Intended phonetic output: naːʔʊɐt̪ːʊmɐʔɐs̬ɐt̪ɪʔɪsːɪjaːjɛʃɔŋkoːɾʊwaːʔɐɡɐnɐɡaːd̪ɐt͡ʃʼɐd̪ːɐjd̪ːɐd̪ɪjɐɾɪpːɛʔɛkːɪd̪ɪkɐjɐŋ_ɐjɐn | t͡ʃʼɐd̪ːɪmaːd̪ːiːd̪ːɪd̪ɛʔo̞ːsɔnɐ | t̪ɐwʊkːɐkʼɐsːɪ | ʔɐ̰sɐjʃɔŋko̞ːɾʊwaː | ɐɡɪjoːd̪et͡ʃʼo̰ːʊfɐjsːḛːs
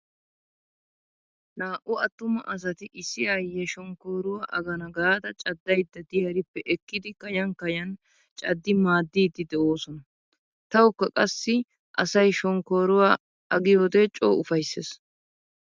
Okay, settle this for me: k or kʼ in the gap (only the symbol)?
k